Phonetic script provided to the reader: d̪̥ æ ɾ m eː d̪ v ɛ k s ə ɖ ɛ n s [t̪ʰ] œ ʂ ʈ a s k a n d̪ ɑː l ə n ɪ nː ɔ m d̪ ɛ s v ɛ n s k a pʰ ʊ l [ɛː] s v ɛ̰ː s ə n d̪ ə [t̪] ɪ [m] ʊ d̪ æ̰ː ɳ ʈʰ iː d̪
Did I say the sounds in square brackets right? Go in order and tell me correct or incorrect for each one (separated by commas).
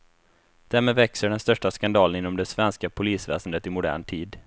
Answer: incorrect, incorrect, correct, correct